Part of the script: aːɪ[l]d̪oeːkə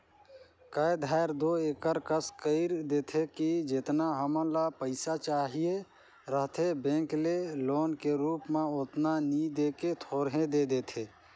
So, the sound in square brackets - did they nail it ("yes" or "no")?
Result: no